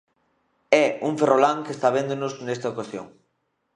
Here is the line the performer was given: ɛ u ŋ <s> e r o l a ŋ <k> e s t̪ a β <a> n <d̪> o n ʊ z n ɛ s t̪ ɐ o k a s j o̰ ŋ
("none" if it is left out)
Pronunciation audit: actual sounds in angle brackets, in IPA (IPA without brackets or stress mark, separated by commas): f, k, e, d̪